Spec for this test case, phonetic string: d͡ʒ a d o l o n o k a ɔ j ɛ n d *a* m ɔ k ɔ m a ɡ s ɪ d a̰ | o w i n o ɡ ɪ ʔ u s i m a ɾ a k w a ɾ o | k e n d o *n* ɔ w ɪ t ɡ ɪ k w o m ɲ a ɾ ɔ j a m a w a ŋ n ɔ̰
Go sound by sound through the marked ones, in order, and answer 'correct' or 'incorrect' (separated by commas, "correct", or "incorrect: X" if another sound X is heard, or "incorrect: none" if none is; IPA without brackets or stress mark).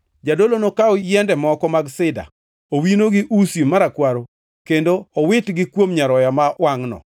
incorrect: ɛ, incorrect: none